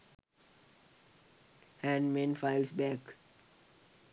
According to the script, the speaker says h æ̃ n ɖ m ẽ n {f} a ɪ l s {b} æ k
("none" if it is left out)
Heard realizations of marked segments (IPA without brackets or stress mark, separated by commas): f, b